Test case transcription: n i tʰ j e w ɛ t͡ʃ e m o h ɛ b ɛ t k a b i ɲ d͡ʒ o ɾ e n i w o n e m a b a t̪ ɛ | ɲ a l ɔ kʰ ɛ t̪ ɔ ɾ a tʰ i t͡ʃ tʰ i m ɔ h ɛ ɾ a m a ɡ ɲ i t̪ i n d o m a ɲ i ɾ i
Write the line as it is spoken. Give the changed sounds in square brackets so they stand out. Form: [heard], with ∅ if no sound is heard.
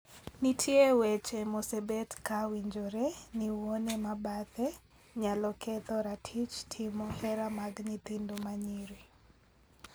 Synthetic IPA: n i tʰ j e w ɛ t͡ʃ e m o [s] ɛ b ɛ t k a [w] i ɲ d͡ʒ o ɾ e n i w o n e m a b a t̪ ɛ | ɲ a l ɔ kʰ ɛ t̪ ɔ ɾ a tʰ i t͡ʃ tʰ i m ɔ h ɛ ɾ a m a ɡ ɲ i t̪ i n d o m a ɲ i ɾ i